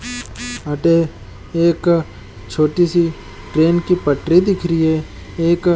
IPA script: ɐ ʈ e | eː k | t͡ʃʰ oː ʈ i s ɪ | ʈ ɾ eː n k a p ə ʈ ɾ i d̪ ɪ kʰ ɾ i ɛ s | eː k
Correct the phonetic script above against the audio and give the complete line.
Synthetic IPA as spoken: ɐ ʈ e | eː k | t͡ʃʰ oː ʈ i s i | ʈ ɾ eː n k i p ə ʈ ɾ i d̪ ɪ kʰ ɾ i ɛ | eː k